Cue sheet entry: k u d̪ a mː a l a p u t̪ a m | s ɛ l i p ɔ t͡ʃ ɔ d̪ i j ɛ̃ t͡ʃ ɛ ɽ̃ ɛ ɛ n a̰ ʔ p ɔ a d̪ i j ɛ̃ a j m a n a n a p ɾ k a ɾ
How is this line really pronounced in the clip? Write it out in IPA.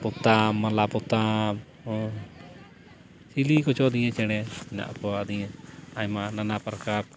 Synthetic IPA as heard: p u t̪ a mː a l a p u t̪ a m | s i l i k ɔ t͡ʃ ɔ d̪ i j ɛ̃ t͡ʃ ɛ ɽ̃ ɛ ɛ n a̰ ʔ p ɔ a d̪ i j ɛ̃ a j m a n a n a p ɾ k a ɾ